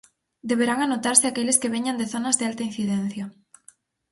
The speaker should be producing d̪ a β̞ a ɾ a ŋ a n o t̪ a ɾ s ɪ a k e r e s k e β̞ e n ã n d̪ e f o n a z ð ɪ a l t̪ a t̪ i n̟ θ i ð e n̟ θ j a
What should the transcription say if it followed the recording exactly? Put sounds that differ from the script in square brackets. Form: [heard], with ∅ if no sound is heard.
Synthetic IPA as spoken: d̪ [e] β̞ [e] ɾ a ŋ a n o t̪ a ɾ s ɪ a k e [l] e s k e β̞ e [ɲ] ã n d̪ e [θ] o n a z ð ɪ a l t̪ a [∅] i n̟ θ i ð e n̟ θ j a